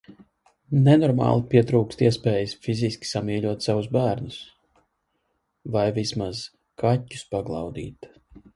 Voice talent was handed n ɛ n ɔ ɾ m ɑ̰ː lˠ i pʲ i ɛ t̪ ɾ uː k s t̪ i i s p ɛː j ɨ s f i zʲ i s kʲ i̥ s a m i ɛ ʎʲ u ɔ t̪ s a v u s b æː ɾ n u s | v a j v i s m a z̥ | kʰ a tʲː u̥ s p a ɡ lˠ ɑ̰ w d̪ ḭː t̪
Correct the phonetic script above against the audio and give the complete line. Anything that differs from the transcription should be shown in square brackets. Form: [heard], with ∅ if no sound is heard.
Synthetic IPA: n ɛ n ɔ ɾ m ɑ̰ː lˠ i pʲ i ɛ t̪ ɾ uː k s t̪ i [ɛ] s p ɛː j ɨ s f i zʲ i s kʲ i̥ s a m i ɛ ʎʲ u ɔ t̪ s a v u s b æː ɾ n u s | v a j v i s m a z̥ | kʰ a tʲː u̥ s p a ɡ lˠ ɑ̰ w d̪ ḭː t̪